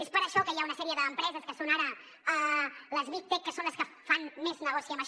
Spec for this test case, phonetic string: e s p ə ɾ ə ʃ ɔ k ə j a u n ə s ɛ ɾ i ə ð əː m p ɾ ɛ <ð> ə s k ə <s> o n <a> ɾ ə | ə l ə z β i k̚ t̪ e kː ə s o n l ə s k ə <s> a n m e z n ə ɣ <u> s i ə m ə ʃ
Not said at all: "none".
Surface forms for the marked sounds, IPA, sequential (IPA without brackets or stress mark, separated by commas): z, s, a, f, ɔ